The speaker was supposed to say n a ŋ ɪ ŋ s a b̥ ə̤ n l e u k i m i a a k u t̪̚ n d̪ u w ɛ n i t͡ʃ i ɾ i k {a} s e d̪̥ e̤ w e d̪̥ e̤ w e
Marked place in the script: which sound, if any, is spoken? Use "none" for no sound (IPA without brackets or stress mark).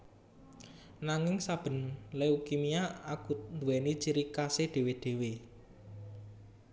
a